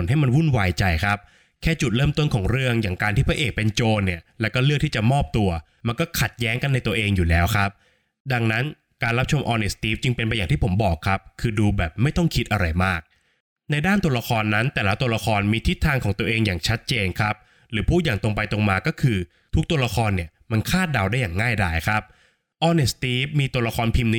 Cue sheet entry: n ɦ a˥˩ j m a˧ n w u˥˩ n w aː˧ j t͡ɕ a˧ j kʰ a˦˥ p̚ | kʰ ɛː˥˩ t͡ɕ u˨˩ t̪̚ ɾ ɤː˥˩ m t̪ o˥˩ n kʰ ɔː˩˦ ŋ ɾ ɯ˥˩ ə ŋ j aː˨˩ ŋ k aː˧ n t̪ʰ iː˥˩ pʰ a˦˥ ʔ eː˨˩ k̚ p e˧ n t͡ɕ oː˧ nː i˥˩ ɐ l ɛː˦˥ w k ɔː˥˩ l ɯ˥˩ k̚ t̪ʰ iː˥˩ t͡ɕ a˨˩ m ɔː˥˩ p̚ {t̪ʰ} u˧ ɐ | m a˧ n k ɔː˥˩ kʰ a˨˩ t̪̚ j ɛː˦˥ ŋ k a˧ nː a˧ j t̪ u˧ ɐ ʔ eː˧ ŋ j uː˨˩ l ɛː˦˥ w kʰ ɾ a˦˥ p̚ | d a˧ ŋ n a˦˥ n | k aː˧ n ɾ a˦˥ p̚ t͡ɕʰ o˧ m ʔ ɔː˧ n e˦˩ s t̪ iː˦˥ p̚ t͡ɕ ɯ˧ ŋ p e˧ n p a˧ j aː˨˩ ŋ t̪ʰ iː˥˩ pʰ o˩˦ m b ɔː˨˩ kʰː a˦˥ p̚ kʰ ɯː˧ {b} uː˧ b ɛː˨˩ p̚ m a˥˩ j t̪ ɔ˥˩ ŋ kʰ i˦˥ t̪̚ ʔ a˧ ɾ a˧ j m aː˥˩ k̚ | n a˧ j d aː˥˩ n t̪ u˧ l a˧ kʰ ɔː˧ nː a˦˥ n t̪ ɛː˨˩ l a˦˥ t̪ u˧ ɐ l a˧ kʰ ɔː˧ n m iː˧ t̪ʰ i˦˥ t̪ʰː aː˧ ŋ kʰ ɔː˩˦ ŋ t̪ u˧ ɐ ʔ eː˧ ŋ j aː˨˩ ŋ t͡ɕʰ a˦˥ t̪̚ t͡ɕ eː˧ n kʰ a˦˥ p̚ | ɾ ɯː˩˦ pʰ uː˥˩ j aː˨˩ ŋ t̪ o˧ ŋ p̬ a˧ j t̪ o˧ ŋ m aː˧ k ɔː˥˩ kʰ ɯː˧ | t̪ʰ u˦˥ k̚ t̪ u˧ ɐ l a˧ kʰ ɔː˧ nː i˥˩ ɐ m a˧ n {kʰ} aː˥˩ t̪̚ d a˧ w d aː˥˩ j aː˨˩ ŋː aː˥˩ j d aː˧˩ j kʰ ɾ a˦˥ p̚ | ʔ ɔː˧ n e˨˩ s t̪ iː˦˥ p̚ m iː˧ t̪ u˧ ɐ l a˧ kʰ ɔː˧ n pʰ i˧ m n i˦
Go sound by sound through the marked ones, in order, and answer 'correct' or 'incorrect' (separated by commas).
incorrect, incorrect, correct